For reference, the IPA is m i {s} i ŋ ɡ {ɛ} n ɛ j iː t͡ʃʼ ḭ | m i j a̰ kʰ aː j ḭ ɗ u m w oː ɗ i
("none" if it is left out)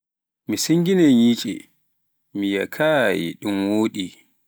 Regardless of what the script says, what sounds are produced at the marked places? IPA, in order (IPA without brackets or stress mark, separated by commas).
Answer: s, i